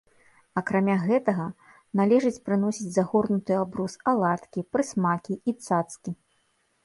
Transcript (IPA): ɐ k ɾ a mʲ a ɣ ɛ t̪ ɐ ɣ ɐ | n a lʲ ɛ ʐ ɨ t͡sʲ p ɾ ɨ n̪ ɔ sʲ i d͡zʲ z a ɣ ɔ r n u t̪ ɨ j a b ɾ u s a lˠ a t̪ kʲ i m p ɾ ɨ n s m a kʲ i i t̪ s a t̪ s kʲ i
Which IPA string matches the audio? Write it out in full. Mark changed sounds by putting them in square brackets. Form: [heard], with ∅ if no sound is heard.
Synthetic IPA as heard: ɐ k ɾ a mʲ a ɣ ɛ t̪ ɐ ɣ ɐ | n a lʲ ɛ ʐ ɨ t͡sʲ p ɾ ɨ n̪ ɔ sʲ i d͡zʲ z a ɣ ɔ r n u t̪ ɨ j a b ɾ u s a lˠ a t̪ kʲ i [∅] p ɾ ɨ [∅] s m a kʲ i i t̪ s a t̪ s kʲ i